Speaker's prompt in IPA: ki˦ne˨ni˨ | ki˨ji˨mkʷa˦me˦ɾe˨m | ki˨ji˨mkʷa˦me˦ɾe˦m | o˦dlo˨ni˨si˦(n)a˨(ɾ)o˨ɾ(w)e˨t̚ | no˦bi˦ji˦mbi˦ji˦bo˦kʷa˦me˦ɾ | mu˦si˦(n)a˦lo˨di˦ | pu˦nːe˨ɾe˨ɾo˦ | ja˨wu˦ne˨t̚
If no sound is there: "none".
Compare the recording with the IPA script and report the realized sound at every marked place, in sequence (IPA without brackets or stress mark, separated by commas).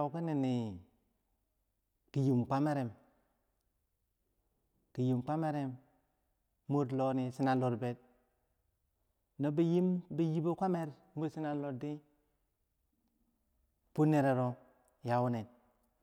n, l, b, n